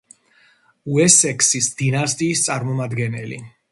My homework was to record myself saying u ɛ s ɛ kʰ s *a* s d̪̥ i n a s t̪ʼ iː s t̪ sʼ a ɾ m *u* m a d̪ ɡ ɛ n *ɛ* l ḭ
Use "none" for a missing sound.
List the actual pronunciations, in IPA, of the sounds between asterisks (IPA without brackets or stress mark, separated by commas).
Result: i, ɔ, ɛ